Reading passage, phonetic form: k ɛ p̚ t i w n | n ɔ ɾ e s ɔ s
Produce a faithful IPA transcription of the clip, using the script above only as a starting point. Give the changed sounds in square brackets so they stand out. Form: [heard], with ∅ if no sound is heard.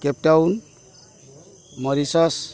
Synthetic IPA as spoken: k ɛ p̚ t [a] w n | [m] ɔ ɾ [i] s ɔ s